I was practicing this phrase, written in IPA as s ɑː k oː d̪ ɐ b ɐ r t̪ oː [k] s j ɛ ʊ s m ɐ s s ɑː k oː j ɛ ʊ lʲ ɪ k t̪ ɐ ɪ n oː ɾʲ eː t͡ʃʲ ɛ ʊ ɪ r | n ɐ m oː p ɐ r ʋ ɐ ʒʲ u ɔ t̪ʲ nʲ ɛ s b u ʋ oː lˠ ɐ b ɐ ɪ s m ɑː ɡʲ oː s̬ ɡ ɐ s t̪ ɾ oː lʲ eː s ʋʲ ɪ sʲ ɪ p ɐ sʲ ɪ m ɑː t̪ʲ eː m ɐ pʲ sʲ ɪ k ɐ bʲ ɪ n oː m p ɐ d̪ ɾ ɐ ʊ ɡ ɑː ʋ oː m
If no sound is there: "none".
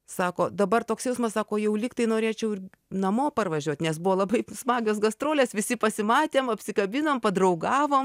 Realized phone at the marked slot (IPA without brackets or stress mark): k